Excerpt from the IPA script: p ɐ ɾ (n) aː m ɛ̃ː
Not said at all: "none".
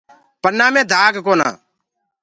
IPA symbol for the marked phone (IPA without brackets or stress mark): n